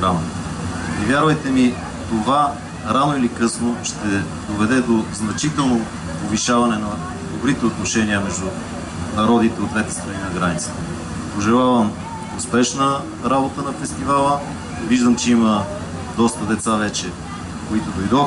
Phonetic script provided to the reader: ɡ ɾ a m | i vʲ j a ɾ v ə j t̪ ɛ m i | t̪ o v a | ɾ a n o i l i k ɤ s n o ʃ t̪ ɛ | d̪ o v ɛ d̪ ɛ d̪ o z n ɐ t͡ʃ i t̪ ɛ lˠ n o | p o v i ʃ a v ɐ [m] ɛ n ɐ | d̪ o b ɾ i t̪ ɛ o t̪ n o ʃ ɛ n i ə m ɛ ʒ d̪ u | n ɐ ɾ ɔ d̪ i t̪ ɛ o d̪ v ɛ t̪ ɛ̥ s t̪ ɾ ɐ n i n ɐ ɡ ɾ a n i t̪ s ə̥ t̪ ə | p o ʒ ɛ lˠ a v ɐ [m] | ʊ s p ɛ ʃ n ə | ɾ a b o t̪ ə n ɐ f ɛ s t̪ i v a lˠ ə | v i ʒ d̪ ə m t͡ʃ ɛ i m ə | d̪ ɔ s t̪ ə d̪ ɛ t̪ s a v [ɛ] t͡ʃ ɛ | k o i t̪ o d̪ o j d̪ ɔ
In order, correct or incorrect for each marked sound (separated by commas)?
incorrect, correct, correct